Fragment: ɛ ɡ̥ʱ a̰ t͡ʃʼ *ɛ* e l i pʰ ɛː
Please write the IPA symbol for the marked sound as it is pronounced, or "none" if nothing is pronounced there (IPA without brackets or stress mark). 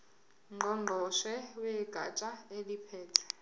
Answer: a